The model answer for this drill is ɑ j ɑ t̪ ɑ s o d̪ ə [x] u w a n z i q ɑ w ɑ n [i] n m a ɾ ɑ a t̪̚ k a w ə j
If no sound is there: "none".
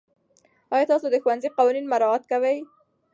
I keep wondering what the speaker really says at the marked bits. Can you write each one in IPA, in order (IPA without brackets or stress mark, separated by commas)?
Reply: x, i